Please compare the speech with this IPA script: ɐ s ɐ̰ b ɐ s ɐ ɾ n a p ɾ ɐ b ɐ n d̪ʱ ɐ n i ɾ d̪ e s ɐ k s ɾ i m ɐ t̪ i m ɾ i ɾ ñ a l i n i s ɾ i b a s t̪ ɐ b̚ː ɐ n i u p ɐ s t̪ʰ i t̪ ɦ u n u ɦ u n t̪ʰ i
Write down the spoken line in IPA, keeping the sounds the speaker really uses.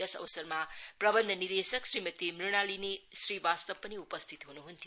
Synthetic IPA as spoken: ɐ s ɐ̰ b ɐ s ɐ ɾ m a p ɾ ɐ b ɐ n d̪ʱ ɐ n i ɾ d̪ e s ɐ k s ɾ i m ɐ t̪ i m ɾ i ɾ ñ a l i n i s ɾ i b a s t̪ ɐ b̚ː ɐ n i u p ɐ s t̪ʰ i t̪ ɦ u n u ɦ u n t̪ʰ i